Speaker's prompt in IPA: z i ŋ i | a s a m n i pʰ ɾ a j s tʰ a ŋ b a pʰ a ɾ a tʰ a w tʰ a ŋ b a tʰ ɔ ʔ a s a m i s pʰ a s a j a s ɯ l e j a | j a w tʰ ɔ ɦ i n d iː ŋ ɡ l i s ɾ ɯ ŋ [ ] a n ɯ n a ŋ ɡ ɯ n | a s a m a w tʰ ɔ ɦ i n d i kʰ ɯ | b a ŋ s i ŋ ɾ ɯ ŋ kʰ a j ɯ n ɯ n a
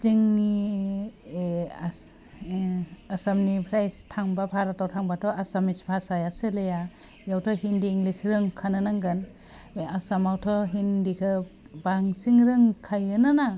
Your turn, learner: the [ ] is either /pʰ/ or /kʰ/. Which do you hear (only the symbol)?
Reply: kʰ